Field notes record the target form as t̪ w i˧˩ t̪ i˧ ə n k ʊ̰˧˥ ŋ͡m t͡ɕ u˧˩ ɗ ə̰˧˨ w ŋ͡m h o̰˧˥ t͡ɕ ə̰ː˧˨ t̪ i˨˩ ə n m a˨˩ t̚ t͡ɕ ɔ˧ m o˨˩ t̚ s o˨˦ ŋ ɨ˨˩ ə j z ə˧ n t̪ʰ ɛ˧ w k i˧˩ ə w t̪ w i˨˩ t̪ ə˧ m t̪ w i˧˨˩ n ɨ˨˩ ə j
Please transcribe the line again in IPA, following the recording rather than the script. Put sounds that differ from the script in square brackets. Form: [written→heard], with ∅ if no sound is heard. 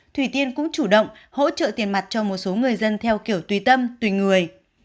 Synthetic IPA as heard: [t̪→t̪ʰ] w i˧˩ t̪ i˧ ə n k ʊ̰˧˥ ŋ͡m t͡ɕ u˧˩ ɗ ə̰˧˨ w ŋ͡m h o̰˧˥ t͡ɕ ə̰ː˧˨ t̪ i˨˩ ə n m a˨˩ t̚ t͡ɕ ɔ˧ m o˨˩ t̚ s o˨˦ ŋ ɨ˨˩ ə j z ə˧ n t̪ʰ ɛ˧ w k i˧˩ ə w t̪ w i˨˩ t̪ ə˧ m t̪ w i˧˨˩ [n→ŋ] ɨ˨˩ ə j